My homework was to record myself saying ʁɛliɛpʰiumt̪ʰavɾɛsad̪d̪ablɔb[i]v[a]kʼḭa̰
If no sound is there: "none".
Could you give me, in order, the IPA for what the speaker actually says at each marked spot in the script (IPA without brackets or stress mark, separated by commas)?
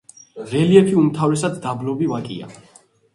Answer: i, a